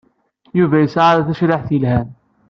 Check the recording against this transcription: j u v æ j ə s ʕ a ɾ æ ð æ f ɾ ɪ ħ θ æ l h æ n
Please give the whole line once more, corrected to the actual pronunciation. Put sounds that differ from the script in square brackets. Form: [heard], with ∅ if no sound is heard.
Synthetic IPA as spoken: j u v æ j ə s ʕ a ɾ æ [θ] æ [ʃ] ɾ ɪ ħ θ [i] l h æ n